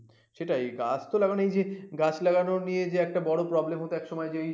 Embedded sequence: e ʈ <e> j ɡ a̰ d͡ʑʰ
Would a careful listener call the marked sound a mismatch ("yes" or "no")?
yes